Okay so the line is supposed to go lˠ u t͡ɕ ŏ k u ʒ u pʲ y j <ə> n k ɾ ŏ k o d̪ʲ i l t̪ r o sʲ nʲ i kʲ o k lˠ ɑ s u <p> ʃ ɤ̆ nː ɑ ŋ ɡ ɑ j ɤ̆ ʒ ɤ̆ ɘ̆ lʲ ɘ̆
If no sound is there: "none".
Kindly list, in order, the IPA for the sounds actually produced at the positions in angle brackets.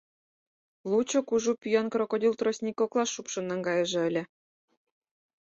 ɑ, p

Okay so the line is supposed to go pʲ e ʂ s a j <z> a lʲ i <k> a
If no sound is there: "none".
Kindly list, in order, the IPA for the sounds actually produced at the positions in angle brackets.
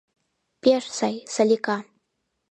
s, k

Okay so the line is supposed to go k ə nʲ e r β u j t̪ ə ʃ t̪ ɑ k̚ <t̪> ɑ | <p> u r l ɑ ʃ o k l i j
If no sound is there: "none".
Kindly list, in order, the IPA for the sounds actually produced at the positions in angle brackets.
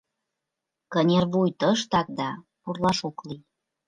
d̪, p

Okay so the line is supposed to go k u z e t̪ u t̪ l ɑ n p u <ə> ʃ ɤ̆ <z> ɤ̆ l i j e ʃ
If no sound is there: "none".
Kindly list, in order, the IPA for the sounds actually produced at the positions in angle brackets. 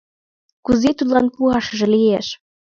ɑ, ʒ

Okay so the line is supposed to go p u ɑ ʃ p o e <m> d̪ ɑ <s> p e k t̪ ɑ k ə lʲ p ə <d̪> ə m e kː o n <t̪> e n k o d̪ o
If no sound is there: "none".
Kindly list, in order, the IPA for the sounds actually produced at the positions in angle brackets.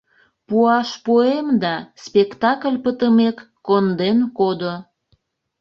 m, s, t̪, d̪

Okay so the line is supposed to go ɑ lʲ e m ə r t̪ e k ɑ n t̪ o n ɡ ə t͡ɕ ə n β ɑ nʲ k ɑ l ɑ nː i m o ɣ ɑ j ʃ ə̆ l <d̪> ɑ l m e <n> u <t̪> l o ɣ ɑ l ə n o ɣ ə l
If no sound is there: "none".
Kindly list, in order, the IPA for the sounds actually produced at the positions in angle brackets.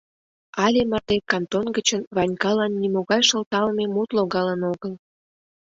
t̪, m, t̪

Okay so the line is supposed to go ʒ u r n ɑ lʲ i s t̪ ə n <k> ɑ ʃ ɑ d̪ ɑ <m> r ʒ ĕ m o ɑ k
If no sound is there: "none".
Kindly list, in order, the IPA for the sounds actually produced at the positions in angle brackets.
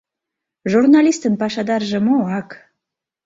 p, none

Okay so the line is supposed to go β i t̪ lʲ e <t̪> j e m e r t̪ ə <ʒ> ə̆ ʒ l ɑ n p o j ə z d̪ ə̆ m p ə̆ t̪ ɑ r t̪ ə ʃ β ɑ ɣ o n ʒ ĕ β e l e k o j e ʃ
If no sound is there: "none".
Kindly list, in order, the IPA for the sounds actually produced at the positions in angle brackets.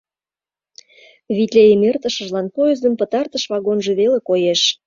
none, ʃ

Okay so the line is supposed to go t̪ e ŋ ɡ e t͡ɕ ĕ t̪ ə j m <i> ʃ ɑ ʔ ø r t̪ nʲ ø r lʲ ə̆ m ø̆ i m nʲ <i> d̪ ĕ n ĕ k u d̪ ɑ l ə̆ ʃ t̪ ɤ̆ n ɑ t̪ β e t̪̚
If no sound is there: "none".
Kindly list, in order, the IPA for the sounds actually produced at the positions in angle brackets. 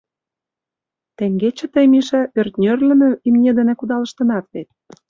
i, e

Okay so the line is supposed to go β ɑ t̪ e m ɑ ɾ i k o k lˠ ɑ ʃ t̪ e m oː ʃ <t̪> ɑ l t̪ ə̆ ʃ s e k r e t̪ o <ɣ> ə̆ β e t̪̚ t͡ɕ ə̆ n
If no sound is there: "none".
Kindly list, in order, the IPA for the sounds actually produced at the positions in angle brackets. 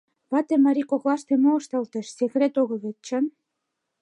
t̪, ɣ

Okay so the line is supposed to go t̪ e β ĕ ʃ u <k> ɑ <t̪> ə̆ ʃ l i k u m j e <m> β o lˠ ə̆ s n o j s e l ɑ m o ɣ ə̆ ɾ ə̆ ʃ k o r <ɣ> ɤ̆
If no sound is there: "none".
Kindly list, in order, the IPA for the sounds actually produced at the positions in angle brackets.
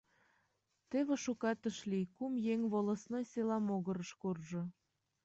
k, t̪, ŋ, ʒ

